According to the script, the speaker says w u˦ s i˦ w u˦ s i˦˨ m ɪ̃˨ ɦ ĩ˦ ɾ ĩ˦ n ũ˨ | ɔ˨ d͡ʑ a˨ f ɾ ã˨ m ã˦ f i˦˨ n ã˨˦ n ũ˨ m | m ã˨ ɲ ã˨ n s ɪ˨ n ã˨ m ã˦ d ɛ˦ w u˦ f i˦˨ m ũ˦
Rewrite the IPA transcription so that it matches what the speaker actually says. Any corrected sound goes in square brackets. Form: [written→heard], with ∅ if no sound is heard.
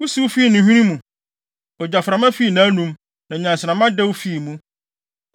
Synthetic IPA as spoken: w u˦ s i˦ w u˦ [s→f] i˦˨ [m→n] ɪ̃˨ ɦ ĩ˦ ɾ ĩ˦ [n→m] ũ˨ | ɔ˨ d͡ʑ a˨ f ɾ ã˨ m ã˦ f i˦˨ n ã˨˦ n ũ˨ m | [m→n] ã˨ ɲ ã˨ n s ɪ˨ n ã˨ m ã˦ d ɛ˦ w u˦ f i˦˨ m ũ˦

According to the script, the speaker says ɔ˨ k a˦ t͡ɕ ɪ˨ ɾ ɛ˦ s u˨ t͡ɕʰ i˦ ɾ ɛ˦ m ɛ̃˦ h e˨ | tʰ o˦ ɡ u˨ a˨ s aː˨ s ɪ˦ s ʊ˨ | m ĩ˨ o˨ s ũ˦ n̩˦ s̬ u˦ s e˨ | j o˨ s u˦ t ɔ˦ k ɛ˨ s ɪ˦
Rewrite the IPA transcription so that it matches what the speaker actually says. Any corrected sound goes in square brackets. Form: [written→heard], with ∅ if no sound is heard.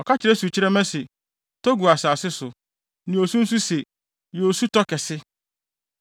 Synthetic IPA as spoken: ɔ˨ k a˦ t͡ɕ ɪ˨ ɾ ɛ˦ s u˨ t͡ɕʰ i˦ ɾ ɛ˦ m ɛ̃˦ [h→s] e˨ | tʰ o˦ ɡ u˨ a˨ s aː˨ s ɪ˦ s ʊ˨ | [m→n] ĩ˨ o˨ s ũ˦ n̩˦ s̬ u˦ s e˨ | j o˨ s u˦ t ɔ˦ k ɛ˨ s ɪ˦

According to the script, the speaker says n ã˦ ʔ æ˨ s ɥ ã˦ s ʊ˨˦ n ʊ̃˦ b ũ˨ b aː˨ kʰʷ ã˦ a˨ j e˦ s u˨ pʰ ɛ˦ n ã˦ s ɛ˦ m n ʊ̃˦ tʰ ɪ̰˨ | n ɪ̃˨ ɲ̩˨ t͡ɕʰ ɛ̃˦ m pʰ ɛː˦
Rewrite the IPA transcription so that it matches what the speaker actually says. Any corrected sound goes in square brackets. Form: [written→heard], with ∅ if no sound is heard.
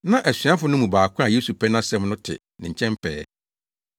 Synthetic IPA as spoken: n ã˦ ʔ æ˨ s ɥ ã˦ [s→f] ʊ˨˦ n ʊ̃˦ [b→m] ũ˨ b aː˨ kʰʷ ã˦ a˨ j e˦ s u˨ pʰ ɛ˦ n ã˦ s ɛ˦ m n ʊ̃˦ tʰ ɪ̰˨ | n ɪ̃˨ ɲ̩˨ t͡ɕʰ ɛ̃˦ m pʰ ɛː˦

